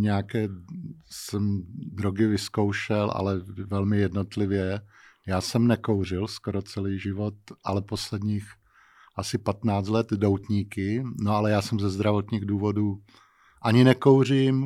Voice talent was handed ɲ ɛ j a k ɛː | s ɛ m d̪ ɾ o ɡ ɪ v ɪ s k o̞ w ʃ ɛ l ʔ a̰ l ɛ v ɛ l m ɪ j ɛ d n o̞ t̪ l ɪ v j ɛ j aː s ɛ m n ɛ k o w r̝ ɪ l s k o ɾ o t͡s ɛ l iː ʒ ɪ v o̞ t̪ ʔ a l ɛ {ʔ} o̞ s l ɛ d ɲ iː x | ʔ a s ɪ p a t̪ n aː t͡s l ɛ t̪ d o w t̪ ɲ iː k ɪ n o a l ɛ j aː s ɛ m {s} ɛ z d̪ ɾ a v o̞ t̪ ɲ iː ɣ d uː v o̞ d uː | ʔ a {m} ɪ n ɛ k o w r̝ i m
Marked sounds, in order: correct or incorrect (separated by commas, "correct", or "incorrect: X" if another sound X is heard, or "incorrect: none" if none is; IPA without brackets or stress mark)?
incorrect: p, incorrect: z, incorrect: ɲ